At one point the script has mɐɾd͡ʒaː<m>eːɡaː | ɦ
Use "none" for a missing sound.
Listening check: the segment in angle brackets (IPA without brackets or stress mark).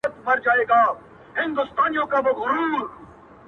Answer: none